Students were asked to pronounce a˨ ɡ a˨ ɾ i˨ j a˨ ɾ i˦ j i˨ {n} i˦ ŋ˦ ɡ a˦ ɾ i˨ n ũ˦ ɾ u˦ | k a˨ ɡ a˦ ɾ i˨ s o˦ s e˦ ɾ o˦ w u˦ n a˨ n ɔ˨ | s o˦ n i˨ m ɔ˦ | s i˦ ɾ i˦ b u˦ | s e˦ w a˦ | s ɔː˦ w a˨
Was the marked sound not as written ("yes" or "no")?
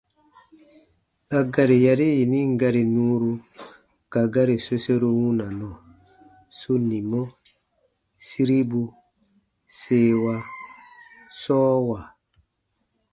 no